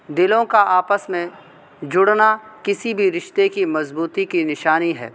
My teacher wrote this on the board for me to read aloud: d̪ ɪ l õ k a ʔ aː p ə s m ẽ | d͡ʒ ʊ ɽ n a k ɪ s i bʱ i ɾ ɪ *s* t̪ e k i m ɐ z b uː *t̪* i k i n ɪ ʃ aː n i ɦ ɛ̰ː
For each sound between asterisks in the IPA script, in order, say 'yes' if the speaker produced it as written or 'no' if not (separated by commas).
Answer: no, yes